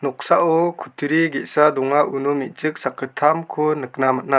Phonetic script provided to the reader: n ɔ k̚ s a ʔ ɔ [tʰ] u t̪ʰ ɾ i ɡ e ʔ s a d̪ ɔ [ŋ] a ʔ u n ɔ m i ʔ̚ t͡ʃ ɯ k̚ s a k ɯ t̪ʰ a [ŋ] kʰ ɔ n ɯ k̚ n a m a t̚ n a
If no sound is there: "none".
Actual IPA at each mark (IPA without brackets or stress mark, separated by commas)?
kʰ, ŋ, m